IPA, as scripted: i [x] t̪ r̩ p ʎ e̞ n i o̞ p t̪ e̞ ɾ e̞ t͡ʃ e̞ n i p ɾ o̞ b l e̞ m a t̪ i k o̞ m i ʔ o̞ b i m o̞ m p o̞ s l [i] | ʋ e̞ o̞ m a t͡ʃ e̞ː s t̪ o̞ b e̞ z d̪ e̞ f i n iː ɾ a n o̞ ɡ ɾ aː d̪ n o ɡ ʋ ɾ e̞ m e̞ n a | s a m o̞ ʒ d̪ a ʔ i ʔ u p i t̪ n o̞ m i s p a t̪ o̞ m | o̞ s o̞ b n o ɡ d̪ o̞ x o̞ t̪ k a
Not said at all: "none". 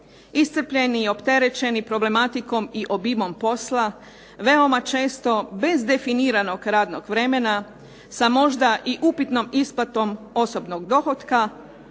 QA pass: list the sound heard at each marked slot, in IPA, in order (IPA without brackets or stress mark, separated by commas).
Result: s, a